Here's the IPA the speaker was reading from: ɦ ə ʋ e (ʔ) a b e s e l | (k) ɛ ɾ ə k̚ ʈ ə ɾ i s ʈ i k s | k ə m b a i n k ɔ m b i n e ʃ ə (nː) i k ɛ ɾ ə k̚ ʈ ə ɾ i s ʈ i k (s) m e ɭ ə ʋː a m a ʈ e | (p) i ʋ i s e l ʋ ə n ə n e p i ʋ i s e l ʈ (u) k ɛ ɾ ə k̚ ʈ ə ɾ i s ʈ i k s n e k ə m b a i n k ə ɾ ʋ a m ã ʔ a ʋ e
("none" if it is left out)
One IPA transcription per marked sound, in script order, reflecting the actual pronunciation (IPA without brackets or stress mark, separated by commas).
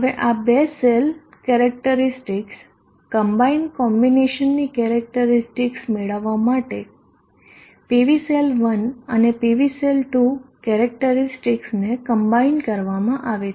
ʔ, k, nː, s, p, u